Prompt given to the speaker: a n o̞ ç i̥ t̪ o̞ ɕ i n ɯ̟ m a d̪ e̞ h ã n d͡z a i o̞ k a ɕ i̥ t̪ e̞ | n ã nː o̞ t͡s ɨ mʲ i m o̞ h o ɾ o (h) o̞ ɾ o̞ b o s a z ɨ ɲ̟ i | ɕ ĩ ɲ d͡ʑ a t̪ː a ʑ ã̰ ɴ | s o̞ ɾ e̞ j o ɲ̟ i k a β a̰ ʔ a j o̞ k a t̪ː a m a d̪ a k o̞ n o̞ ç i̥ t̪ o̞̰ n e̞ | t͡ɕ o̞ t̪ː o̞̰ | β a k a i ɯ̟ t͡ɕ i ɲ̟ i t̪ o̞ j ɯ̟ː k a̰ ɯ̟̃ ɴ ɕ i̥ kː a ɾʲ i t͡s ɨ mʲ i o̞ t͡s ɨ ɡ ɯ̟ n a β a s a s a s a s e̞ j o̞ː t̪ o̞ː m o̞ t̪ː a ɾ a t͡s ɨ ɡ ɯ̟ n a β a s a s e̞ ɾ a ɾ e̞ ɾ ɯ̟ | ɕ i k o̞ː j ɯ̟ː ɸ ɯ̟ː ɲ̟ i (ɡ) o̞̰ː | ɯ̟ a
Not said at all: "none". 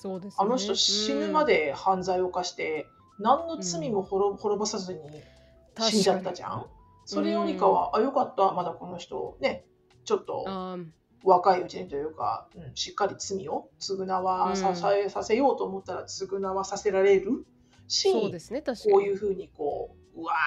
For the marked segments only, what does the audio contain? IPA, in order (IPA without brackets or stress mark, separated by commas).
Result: h, k